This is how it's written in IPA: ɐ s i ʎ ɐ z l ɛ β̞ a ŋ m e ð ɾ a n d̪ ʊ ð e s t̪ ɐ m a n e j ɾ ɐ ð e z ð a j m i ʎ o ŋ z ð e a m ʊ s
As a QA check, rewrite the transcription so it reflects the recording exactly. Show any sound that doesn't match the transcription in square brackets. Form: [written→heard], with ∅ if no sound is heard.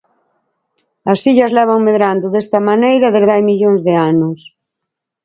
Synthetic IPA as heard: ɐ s i ʎ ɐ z l ɛ β̞ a ŋ m e ð ɾ a n d̪ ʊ ð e s t̪ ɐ m a n e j ɾ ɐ ð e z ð a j m i ʎ o ŋ z ð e a [m→n] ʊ s